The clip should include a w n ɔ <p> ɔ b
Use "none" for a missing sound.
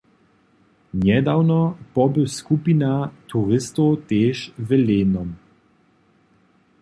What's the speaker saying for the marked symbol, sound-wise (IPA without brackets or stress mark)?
p